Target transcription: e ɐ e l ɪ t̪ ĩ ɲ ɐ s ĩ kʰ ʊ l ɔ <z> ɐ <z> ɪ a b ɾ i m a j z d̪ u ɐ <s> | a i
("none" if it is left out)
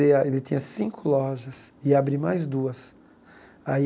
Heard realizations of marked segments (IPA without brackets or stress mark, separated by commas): ʒ, s, s